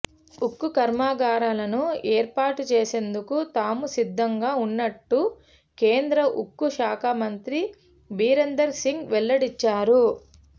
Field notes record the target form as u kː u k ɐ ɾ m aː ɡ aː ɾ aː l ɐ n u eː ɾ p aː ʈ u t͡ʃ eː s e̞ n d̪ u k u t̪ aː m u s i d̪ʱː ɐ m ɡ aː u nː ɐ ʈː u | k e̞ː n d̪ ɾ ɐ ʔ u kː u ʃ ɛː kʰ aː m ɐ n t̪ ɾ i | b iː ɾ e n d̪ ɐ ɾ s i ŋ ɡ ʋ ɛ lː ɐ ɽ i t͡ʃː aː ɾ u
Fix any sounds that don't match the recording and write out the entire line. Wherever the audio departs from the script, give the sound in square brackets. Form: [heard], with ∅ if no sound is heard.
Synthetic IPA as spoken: u kː u k ɐ ɾ m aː ɡ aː ɾ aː l ɐ n u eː ɾ p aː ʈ u t͡ʃ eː s e̞ n d̪ u k u t̪ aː m u s i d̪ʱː ɐ [ŋ] ɡ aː u nː ɐ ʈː u | k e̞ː n d̪ ɾ ɐ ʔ u kː u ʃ [aː] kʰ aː m ɐ n t̪ ɾ i | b iː ɾ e n d̪ ɐ ɾ s i ŋ ɡ ʋ ɛ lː ɐ ɽ i t͡ʃː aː ɾ u